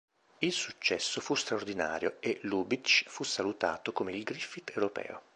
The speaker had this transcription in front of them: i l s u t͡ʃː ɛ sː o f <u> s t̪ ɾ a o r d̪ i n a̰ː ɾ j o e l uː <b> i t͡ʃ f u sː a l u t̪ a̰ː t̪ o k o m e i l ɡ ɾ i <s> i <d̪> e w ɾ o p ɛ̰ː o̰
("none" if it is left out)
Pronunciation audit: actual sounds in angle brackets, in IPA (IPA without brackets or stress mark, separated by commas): u, b, f, t̪